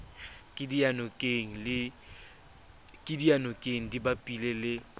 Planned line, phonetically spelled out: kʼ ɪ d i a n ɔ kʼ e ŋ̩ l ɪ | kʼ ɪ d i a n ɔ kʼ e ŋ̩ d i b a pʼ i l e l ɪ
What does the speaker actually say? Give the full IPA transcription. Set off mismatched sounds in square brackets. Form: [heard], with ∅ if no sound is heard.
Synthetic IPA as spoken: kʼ ɪ d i a n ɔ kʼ e ŋ̩ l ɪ | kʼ ɪ d i a n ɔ kʼ e ŋ̩ d i b a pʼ i l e l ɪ